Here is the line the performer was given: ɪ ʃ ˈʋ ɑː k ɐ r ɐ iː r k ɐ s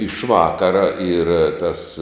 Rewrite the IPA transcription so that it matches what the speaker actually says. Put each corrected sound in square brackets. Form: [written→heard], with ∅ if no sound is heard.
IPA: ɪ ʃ ˈʋ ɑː k ɐ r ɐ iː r [k→t] ɐ s